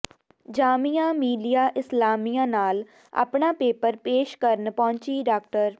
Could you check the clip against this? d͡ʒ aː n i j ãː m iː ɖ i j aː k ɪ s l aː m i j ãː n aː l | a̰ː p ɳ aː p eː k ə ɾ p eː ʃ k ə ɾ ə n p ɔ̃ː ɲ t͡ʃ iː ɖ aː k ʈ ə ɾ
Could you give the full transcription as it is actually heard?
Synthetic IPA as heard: d͡ʒ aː m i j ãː m iː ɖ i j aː ʔ ɪ s l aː m i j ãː n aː l | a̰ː p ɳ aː p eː p ə ɾ p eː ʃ k ə ɾ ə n p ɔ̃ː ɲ t͡ʃ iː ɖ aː k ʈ ə ɾ